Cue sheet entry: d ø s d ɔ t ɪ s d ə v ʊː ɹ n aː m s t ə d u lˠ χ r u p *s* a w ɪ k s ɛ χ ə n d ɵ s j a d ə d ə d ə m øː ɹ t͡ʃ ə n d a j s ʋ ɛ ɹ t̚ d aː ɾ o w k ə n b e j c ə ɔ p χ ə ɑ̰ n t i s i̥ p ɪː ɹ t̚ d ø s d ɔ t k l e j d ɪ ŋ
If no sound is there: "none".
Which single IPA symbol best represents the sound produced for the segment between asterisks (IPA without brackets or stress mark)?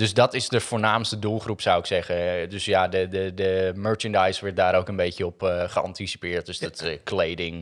s